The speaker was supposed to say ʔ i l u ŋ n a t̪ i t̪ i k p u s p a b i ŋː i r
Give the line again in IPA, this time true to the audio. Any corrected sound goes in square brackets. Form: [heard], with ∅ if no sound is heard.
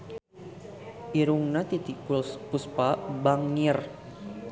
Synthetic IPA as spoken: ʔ i [ɾ] u ŋ n a t̪ i t̪ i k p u s p a b [a] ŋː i r

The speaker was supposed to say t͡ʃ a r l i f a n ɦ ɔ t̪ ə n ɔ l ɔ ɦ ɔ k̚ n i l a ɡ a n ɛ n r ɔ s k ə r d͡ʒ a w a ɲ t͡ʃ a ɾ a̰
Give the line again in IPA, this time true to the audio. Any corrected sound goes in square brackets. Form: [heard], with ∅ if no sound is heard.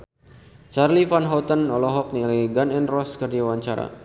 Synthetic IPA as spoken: t͡ʃ a r l i f a n ɦ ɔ t̪ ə n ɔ l ɔ ɦ ɔ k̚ n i l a ɡ a n ɛ n r ɔ s k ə r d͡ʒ a w a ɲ t͡ʃ a ɾ a̰

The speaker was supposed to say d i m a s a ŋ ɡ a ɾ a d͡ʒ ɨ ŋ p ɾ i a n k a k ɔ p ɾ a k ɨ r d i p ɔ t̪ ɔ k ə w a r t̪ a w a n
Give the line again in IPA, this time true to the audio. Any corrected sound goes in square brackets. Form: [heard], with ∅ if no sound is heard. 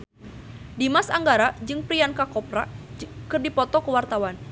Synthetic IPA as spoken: d i m a s a ŋ ɡ a ɾ a d͡ʒ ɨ ŋ p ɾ i a n k a k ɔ p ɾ a k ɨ r d i p ɔ t̪ ɔ k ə w a r t̪ a w a n

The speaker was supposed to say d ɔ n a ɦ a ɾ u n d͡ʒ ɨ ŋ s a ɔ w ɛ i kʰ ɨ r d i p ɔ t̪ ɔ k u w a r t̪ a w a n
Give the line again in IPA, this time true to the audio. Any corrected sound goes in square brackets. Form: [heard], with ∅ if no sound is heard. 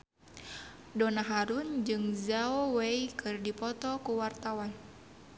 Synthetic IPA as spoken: d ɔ n a ɦ a ɾ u n d͡ʒ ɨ ŋ [z] a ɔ w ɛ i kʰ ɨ r d i p ɔ t̪ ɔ k u w a r t̪ a w a n

